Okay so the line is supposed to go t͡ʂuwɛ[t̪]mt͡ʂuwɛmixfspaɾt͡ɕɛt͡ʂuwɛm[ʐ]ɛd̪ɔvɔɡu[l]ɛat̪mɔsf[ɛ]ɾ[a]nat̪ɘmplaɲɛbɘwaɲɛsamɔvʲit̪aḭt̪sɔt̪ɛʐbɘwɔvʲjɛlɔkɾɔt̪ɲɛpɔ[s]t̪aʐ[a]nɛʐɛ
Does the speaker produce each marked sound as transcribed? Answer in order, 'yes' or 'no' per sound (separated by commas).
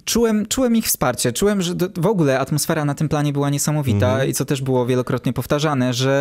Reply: no, yes, yes, yes, yes, no, yes